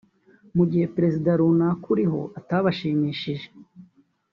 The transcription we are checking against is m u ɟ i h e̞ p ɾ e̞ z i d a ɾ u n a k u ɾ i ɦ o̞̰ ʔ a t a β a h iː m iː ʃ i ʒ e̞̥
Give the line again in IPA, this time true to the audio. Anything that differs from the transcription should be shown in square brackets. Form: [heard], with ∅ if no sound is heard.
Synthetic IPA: m u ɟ i h e̞ p ɾ e̞ z i d a ɾ u n a k u ɾ i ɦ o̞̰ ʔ a t a β a [ʃ] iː m iː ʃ i ʒ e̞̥